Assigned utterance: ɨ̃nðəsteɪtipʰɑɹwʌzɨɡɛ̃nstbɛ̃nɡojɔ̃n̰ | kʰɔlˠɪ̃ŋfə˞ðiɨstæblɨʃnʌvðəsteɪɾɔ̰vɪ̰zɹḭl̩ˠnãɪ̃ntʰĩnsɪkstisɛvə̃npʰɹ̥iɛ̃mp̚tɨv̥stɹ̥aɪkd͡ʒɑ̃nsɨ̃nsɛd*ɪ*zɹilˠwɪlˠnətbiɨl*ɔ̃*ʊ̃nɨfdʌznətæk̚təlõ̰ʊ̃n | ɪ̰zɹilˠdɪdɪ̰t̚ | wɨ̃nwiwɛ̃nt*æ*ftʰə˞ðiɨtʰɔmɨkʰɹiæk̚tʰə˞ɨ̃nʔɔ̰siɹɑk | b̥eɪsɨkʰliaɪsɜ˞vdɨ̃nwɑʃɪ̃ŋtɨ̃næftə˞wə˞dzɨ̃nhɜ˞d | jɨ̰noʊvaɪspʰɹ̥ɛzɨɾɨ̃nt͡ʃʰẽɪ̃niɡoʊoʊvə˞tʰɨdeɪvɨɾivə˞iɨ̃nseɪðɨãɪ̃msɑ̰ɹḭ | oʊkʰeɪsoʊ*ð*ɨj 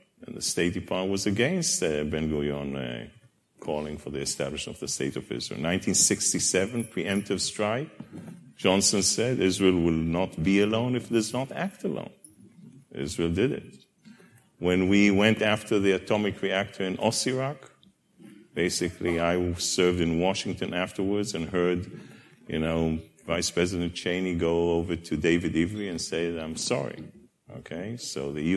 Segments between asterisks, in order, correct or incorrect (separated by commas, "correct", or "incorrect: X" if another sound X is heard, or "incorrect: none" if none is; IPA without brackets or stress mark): correct, incorrect: õ, correct, correct